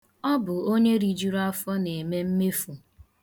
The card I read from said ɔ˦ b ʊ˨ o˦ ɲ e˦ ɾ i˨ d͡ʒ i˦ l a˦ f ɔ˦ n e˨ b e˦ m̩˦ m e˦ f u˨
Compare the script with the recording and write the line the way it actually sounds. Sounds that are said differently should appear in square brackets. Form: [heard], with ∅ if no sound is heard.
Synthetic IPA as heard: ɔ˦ b ʊ˨ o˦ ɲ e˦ ɾ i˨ d͡ʒ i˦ [ɾ] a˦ f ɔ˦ n e˨ [m] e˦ m̩˦ m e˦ f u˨